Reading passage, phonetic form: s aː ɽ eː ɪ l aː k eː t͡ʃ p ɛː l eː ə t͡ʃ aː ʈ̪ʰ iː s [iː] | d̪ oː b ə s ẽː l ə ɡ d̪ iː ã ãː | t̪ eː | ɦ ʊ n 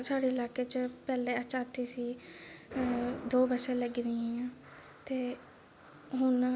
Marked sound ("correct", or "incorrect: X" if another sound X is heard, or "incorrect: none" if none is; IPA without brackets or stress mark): correct